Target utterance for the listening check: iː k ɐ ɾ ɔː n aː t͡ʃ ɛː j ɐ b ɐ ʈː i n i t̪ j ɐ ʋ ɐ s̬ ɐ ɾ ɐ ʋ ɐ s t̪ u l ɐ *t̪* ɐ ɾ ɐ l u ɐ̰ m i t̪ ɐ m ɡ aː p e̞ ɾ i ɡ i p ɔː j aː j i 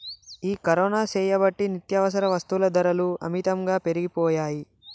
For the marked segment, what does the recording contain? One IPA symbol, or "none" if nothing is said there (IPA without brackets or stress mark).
d̪